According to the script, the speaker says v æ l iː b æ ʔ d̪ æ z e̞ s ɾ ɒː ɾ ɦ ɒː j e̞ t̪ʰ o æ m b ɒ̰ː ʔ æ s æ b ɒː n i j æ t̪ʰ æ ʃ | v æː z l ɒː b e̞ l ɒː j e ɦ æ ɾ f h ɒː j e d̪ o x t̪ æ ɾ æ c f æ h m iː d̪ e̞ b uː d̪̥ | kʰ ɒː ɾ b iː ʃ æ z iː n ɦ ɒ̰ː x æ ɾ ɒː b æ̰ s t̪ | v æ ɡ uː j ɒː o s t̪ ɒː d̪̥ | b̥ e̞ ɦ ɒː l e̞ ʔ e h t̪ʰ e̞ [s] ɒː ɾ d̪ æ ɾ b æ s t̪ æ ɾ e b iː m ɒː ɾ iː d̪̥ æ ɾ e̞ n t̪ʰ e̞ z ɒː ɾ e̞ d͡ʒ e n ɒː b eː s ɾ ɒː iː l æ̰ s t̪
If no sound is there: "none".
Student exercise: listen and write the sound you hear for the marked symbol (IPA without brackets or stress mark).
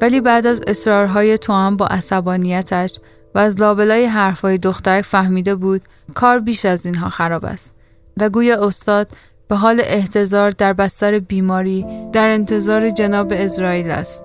z